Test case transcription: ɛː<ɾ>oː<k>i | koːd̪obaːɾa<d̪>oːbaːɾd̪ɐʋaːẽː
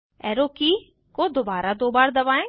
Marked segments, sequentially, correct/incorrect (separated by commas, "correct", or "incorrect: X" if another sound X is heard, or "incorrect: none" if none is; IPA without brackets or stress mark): correct, correct, correct